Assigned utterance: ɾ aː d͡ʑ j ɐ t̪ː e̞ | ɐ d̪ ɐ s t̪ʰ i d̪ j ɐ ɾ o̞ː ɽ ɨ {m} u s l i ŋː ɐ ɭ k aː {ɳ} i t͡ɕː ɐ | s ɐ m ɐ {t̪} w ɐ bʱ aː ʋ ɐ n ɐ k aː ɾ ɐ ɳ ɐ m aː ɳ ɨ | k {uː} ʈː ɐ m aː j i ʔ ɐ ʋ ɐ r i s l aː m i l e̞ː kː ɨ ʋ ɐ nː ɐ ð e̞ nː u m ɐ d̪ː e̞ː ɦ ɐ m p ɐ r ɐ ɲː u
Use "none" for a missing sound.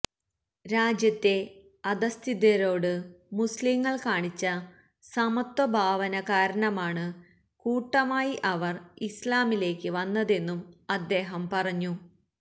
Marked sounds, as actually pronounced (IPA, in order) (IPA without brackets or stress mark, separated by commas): m, ɳ, t̪, uː